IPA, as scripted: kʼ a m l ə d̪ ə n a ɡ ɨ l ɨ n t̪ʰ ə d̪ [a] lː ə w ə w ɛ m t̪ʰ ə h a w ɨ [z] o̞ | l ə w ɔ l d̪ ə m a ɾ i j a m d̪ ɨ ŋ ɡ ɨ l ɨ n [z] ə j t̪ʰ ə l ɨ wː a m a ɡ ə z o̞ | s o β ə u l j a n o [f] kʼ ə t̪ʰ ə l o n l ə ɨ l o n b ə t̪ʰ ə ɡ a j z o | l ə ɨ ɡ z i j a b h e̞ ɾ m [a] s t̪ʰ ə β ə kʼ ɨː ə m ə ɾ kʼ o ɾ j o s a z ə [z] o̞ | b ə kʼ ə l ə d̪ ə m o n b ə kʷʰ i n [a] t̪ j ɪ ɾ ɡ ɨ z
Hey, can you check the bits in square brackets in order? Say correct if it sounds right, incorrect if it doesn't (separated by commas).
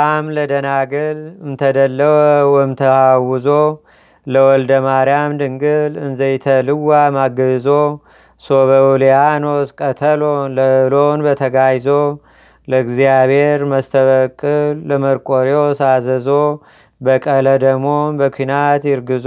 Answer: incorrect, correct, correct, incorrect, incorrect, correct, correct